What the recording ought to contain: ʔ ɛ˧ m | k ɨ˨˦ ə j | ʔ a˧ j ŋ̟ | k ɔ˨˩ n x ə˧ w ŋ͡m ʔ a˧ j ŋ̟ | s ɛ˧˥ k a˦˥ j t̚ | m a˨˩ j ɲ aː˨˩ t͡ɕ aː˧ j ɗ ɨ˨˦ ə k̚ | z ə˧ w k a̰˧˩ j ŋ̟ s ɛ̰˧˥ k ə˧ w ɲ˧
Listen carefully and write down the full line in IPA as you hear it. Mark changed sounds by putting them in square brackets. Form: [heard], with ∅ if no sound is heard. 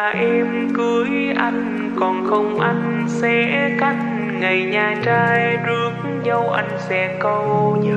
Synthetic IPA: ʔ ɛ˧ m | k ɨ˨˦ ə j | ʔ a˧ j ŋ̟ | k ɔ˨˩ n x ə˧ w ŋ͡m ʔ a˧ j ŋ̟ | s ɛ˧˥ k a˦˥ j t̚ | [ŋ] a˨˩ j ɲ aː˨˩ t͡ɕ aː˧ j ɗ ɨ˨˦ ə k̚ | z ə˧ w [ʔ] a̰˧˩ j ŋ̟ s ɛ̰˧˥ k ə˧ w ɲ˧